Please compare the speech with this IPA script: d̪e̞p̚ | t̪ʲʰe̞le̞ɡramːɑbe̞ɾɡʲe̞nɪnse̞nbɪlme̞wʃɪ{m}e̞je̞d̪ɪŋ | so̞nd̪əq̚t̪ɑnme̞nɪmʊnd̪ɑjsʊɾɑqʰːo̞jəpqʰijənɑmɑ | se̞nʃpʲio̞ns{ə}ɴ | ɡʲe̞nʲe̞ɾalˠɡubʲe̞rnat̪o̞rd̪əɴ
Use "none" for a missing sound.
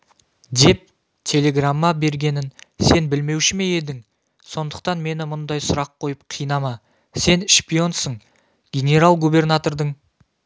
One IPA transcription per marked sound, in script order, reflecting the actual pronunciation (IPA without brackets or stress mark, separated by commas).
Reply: m, ə